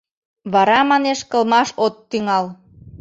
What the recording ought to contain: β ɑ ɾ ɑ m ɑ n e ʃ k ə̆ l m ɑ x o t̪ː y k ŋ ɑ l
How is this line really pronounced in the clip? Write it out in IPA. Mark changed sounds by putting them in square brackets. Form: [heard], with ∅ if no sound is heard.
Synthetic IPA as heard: β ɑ ɾ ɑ m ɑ n e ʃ k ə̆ l m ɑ [ʃ] o t̪ː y [∅] ŋ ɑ l